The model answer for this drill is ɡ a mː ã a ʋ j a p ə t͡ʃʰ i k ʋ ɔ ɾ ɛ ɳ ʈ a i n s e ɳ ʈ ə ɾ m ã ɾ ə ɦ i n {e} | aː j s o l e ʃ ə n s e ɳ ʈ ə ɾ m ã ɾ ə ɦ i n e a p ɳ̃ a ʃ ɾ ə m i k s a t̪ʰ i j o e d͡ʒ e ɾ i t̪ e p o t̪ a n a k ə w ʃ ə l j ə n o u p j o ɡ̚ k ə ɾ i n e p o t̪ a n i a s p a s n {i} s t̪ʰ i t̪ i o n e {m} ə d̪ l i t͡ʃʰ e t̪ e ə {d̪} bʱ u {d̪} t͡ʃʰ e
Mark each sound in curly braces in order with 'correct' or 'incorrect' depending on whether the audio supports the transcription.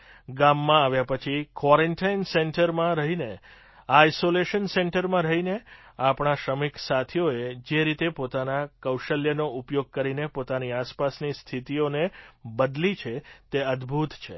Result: correct, correct, incorrect, correct, incorrect

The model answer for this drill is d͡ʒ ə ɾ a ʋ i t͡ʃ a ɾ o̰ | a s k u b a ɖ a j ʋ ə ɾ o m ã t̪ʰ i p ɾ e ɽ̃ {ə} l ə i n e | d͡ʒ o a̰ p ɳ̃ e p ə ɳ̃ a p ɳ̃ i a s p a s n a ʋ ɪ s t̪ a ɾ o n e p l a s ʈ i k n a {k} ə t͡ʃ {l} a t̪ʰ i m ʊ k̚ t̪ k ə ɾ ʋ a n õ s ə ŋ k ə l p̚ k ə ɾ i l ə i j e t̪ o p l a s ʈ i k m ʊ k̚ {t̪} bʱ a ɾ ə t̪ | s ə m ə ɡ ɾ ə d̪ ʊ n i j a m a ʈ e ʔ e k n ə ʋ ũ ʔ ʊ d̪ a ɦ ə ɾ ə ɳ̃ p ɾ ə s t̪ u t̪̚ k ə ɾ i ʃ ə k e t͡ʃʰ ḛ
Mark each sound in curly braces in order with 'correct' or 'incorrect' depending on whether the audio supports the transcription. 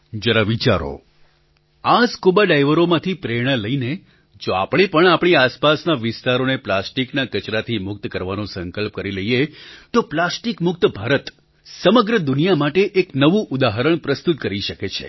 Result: correct, correct, incorrect, correct

